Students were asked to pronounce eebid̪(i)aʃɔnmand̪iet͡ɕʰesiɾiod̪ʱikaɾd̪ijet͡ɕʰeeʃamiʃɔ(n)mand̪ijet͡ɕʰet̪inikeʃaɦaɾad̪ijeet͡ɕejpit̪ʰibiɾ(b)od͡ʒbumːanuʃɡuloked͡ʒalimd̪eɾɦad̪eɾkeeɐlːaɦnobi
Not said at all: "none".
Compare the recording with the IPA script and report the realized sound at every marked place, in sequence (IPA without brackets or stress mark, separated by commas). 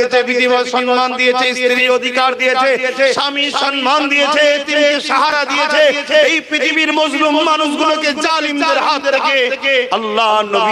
i, n, m